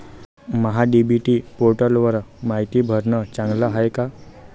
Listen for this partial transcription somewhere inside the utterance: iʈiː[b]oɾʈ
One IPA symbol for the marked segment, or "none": p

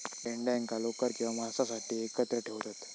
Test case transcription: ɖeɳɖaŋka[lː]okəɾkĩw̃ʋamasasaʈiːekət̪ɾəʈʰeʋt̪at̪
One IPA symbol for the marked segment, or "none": l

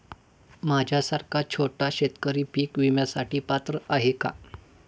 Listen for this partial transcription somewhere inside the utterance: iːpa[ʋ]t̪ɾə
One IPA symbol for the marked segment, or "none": none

